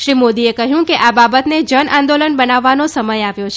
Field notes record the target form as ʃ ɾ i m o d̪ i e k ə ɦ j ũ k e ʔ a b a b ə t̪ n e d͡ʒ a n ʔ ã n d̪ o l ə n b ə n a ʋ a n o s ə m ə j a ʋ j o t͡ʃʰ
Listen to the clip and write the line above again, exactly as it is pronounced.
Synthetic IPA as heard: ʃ ɾ i m o d̪ i e k ə ɦ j ũ k e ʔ a b a b ə t̪ n e d͡ʒ ə n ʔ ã n d̪ o l ə n b ə n a ʋː a n o s ə m ə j a ʋ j o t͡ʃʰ